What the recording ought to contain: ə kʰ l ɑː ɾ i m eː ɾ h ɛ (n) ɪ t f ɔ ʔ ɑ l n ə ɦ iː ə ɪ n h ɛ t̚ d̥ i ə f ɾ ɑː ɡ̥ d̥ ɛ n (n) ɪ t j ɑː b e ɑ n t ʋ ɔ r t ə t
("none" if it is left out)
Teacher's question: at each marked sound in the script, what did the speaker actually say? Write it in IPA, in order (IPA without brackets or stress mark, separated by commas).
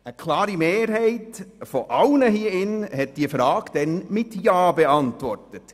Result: none, m